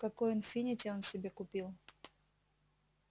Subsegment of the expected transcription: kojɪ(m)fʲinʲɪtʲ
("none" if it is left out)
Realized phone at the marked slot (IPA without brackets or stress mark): n